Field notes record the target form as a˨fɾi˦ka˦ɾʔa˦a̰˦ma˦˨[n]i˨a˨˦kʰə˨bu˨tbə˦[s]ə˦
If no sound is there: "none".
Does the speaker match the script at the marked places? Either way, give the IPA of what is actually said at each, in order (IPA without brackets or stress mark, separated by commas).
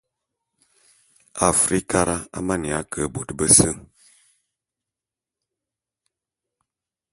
n, s